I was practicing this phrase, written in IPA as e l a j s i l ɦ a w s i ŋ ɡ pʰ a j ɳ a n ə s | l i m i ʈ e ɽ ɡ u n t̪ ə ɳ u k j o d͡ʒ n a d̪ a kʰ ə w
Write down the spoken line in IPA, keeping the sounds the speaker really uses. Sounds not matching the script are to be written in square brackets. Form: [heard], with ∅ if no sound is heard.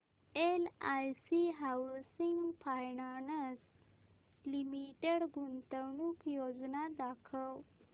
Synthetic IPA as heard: e l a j s i [∅] ɦ a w s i ŋ ɡ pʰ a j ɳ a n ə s | l i m i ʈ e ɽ ɡ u n t̪ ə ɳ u k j o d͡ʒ n a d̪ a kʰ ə w